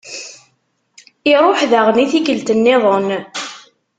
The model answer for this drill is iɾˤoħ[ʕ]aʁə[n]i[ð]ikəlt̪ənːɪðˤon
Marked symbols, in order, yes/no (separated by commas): no, yes, no